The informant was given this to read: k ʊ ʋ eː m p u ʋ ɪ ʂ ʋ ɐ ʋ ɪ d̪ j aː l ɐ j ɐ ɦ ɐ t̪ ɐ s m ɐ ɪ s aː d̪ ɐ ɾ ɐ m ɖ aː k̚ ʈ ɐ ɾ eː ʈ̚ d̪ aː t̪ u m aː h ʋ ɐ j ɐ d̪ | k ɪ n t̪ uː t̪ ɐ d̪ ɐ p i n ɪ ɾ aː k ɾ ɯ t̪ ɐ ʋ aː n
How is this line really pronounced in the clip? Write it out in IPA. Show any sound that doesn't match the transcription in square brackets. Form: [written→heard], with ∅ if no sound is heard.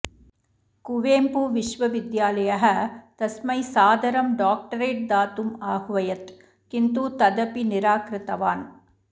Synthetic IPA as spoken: k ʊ ʋ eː m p u ʋ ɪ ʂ ʋ ɐ ʋ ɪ d̪ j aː l ɐ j ɐ ɦ ɐ t̪ ɐ s m ɐ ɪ s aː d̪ ɐ ɾ ɐ m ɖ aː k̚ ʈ ɐ ɾ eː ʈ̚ d̪ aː t̪ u m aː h ʋ ɐ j ɐ [d̪→t̪] | k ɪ n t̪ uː t̪ ɐ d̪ ɐ p i n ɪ ɾ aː k ɾ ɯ t̪ ɐ ʋ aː n

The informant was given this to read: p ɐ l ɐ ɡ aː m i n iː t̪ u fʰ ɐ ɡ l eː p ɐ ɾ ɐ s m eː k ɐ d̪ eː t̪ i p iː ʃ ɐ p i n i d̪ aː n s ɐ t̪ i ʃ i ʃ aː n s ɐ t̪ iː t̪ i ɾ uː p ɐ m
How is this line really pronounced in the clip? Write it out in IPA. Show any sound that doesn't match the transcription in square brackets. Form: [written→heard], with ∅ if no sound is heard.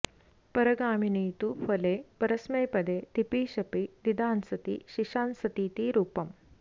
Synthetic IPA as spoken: p ɐ [l→ɾ] ɐ ɡ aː m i n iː t̪ u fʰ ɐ [ɡ→∅] l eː p ɐ ɾ ɐ s m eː [k→p] ɐ d̪ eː t̪ i p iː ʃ ɐ p i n i d̪ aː n s ɐ t̪ i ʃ i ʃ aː n s ɐ t̪ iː t̪ i ɾ uː p ɐ m

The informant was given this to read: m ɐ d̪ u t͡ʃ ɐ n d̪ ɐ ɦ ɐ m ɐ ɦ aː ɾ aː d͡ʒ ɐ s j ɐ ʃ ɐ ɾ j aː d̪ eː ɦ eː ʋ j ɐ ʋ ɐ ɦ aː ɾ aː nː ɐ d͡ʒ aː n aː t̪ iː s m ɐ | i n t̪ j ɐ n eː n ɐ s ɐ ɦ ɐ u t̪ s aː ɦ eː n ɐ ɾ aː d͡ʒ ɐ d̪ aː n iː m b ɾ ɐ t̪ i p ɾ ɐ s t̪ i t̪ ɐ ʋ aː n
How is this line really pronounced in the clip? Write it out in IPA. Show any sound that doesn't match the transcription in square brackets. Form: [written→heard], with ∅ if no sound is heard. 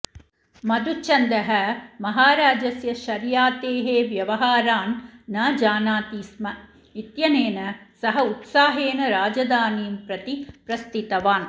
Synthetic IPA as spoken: m ɐ d̪ u t͡ʃ ɐ n d̪ ɐ ɦ ɐ m ɐ ɦ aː ɾ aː d͡ʒ ɐ s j ɐ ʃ ɐ ɾ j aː [d̪→t̪] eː ɦ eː ʋ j ɐ ʋ ɐ ɦ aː ɾ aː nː ɐ d͡ʒ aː n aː t̪ iː s m ɐ | i [n→∅] t̪ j ɐ n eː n ɐ s ɐ ɦ ɐ u t̪ s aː ɦ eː n ɐ ɾ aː d͡ʒ ɐ d̪ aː n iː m [b→p] ɾ ɐ t̪ i p ɾ ɐ s t̪ i t̪ ɐ ʋ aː n

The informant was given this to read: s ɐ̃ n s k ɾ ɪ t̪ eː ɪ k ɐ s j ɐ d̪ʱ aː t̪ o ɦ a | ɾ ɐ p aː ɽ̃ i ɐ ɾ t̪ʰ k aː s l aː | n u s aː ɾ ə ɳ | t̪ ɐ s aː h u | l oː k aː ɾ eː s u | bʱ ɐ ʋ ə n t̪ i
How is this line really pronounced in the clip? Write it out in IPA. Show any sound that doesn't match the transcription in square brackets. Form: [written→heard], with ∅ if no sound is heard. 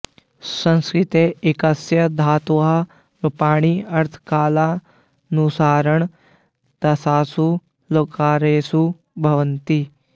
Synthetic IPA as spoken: s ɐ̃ n s k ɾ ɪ t̪ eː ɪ k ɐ s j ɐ d̪ʱ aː t̪ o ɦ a | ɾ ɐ p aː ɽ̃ i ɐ ɾ t̪ʰ k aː [s→∅] l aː | n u s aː ɾ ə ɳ | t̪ ɐ s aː [h→s] u | l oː k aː ɾ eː s u | bʱ ɐ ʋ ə n t̪ i

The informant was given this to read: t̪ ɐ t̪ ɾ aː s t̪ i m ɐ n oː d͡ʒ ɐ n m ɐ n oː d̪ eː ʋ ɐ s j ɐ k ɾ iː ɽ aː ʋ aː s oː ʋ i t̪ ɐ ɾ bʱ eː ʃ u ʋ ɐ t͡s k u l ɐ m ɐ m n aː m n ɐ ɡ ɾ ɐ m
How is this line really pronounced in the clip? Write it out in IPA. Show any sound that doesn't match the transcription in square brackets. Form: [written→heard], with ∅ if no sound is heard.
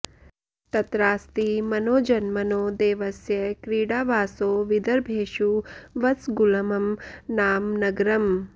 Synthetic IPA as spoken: t̪ ɐ t̪ ɾ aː s t̪ i m ɐ n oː d͡ʒ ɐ n m ɐ n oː d̪ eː ʋ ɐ s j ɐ k ɾ iː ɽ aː ʋ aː s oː ʋ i [t̪→d̪] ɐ ɾ bʱ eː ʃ u ʋ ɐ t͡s [k→ɡ] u l ɐ m ɐ m n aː m n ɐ ɡ ɾ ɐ m

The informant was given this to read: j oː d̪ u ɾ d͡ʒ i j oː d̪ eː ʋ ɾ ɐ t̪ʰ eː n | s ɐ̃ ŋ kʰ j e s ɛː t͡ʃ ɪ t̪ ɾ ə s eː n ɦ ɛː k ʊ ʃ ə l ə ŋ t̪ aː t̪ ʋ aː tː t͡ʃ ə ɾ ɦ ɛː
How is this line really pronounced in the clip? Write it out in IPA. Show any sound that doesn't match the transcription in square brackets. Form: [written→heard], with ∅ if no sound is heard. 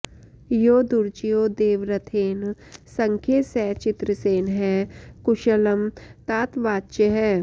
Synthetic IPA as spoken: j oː d̪ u ɾ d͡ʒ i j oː d̪ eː ʋ ɾ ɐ t̪ʰ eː n | s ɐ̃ ŋ kʰ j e s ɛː t͡ʃ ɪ t̪ ɾ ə s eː n ɦ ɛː k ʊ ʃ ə l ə [ŋ→m] t̪ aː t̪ ʋ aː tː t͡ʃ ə [ɾ→∅] ɦ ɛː

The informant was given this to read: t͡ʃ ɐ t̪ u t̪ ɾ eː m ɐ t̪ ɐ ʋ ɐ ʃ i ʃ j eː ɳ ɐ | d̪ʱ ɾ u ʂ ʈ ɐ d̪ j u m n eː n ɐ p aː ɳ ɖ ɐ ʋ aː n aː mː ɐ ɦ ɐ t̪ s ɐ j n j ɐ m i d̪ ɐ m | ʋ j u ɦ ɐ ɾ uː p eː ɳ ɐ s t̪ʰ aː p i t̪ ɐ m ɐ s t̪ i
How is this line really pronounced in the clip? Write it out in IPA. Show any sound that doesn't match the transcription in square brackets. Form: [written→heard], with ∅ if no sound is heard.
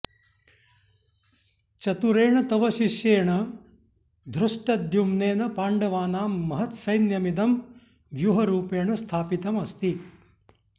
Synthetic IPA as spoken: t͡ʃ ɐ t̪ u [t̪→∅] ɾ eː [m→ɳ] ɐ t̪ ɐ ʋ ɐ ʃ i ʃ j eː ɳ ɐ | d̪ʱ ɾ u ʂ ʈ ɐ d̪ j u m n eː n ɐ p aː ɳ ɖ ɐ ʋ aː n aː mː ɐ ɦ ɐ t̪ s ɐ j n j ɐ m i d̪ ɐ m | ʋ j u ɦ ɐ ɾ uː p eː ɳ ɐ s t̪ʰ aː p i t̪ ɐ m ɐ s t̪ i

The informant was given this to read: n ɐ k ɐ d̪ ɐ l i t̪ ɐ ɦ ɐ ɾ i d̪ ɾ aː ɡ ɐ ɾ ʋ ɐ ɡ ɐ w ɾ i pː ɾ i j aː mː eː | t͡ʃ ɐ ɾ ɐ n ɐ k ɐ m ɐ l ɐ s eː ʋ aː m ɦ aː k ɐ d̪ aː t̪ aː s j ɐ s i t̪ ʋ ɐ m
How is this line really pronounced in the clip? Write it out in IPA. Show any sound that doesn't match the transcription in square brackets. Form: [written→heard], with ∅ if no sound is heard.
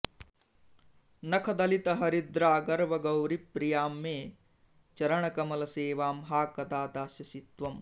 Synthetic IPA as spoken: n ɐ [k→kʰ] ɐ d̪ ɐ l i t̪ ɐ ɦ ɐ ɾ i d̪ ɾ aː ɡ ɐ ɾ ʋ ɐ ɡ ɐ w ɾ i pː ɾ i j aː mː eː | t͡ʃ ɐ ɾ ɐ [n→ɳ] ɐ k ɐ m ɐ l ɐ s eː ʋ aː m ɦ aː k ɐ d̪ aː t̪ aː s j ɐ s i t̪ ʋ ɐ m

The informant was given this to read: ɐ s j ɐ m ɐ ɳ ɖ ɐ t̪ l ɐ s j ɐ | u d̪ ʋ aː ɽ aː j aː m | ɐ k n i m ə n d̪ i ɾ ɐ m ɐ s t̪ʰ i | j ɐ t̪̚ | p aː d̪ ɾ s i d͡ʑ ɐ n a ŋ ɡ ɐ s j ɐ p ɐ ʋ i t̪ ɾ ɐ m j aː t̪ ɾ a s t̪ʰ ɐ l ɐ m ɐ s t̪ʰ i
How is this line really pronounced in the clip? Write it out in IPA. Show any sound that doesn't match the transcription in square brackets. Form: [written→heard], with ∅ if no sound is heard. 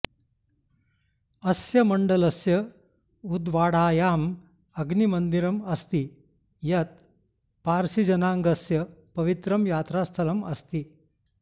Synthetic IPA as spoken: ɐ s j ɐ m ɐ ɳ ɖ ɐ [t̪→∅] l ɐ s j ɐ | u d̪ ʋ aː ɽ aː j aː m | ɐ [k→ɡ] n i m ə n d̪ i ɾ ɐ m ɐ s [t̪ʰ→t̪] i | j ɐ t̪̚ | p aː [d̪→∅] ɾ s i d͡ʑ ɐ n a ŋ ɡ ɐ s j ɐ p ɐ ʋ i t̪ ɾ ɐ m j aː t̪ ɾ a s t̪ʰ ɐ l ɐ m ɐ s [t̪ʰ→t̪] i

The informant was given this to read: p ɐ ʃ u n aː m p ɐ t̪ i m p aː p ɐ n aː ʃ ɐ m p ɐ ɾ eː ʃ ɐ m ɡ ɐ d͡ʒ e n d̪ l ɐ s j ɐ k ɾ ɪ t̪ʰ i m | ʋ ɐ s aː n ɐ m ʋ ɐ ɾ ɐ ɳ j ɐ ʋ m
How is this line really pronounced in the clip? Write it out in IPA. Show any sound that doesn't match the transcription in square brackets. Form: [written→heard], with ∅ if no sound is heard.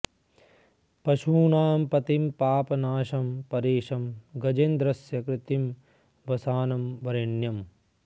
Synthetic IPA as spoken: p ɐ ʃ [u→uː] n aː m p ɐ t̪ i m p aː p ɐ n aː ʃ ɐ m p ɐ ɾ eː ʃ ɐ m ɡ ɐ d͡ʒ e n d̪ [l→ɾ] ɐ s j ɐ k ɾ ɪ [t̪ʰ→t̪] i m | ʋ ɐ s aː n ɐ m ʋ ɐ ɾ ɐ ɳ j ɐ [ʋ→∅] m

